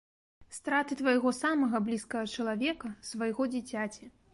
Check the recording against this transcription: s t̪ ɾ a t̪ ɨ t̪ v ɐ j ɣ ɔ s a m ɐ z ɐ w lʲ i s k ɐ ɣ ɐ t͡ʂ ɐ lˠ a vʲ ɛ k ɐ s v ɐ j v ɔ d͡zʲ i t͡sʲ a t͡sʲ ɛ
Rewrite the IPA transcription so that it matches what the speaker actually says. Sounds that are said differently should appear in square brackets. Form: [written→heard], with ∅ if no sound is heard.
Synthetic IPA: s t̪ ɾ a t̪ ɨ t̪ v ɐ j ɣ ɔ s a m ɐ [z→ɣ] ɐ [w→b] lʲ i s k ɐ ɣ ɐ t͡ʂ ɐ lˠ a vʲ ɛ k ɐ s v ɐ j [v→ɣ] ɔ d͡zʲ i t͡sʲ a t͡sʲ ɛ